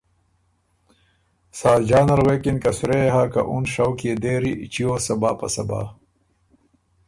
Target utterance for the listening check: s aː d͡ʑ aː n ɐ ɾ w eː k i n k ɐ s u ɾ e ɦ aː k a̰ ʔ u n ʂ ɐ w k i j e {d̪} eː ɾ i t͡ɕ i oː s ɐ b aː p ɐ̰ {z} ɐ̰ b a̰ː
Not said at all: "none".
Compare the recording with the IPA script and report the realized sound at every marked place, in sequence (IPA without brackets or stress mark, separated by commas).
d̪, s